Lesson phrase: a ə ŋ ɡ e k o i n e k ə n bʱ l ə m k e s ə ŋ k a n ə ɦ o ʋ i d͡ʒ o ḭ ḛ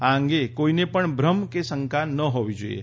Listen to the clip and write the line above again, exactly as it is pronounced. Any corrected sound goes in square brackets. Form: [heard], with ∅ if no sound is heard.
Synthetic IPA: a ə ŋ ɡ e k o i n e [p] ə [ɳ] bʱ [ɾ] ə m k e s ə ŋ k a n ə ɦ o ʋ i d͡ʒ o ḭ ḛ